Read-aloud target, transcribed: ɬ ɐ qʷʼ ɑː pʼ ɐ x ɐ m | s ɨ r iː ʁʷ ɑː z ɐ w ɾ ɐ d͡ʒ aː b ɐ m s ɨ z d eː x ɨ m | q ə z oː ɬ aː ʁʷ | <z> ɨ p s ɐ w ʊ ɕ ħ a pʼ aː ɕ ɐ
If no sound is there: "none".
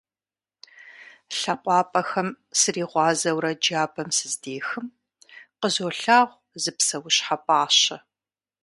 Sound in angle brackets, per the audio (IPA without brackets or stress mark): z